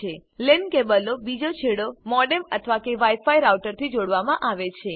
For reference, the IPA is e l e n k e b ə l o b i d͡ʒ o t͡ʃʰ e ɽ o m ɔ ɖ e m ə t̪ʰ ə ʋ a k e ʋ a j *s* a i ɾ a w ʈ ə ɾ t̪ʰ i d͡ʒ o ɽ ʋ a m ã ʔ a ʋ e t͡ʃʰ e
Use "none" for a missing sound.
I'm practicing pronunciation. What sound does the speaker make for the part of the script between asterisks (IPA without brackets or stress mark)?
f